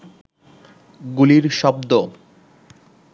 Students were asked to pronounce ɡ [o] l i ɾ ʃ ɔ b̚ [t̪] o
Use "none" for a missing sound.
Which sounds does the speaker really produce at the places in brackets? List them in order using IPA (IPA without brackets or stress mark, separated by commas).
u, d̪